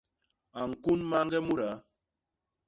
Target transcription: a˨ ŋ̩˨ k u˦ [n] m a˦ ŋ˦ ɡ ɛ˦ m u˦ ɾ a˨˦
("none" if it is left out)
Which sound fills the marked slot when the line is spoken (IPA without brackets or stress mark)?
n